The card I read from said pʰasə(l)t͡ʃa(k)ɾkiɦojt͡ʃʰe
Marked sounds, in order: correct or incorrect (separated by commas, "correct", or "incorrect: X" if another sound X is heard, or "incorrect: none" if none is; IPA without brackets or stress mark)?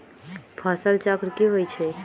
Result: correct, correct